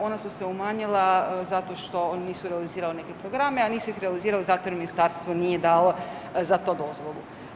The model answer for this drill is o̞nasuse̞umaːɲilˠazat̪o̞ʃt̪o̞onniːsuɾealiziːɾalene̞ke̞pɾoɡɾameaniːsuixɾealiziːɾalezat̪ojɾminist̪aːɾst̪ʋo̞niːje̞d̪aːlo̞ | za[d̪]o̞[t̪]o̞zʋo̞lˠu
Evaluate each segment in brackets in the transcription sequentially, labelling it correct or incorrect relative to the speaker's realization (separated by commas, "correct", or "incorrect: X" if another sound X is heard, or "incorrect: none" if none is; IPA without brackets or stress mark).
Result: incorrect: t̪, incorrect: d̪